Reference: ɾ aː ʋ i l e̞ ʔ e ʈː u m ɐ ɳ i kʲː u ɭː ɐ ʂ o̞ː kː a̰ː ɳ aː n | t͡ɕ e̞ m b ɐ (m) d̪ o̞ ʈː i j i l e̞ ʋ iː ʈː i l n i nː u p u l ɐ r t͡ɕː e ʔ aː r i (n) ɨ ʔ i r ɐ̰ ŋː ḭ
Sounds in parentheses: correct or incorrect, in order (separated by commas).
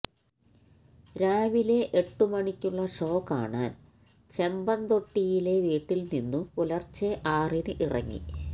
incorrect, correct